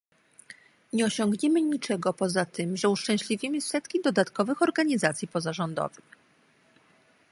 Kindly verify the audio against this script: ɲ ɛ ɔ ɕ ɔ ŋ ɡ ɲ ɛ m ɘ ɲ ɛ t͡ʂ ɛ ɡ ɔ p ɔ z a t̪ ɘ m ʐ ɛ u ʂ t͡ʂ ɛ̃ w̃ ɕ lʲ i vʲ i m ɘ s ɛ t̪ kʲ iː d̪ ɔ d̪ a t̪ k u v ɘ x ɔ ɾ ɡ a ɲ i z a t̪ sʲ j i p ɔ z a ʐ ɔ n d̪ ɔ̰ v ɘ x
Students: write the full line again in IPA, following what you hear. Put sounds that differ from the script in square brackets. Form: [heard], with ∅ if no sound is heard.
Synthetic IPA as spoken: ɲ ɛ ɔ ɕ ɔ ŋ ɡ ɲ ɛ m ɘ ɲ [i] t͡ʂ ɛ ɡ ɔ p ɔ z a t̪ ɘ m ʐ ɛ u ʂ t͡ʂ ɛ̃ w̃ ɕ lʲ i vʲ i m ɘ s ɛ t̪ kʲ [i] d̪ ɔ d̪ a t̪ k [ɔ] v ɘ x ɔ ɾ ɡ a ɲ i z a t̪ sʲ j i p ɔ z a ʐ ɔ n d̪ ɔ̰ v ɘ x